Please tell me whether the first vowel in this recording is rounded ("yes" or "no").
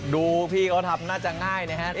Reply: yes